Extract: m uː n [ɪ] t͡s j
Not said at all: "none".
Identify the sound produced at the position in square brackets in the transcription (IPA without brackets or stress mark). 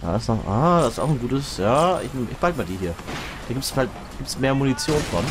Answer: i